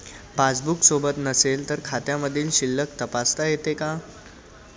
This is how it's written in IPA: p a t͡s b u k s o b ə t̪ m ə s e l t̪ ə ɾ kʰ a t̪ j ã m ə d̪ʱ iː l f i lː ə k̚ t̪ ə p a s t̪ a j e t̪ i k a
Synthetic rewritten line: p a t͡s b u k s o b ə t̪ n ə s e l t̪ ə ɾ kʰ a t̪ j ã m ə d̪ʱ iː l ɕ i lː ə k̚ t̪ ə p a s t̪ a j e t̪ e k a